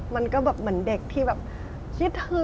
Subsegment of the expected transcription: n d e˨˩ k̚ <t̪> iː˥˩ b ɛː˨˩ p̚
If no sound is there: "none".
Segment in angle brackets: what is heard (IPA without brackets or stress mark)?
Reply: t̪ʰ